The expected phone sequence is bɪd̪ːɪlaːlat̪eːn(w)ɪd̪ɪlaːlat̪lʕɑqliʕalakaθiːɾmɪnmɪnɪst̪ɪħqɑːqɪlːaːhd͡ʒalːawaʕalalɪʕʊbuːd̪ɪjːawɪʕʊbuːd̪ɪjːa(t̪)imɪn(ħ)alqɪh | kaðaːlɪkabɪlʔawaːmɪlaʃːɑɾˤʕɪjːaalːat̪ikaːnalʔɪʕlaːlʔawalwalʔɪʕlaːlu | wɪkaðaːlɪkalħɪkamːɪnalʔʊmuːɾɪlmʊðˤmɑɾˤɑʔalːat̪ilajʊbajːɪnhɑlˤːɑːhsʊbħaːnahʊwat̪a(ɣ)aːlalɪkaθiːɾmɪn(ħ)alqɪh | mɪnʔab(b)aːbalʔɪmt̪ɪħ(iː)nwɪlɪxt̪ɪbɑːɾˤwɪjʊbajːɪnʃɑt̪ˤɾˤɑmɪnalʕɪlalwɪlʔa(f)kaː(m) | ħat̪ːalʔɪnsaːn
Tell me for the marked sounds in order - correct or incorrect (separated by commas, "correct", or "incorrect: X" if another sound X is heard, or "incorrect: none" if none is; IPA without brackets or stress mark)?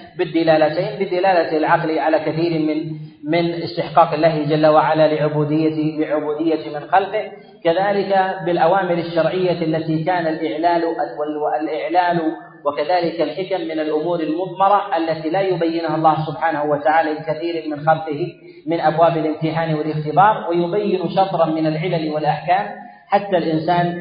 incorrect: b, correct, incorrect: x, incorrect: ʕ, incorrect: x, incorrect: w, incorrect: aː, incorrect: ħ, correct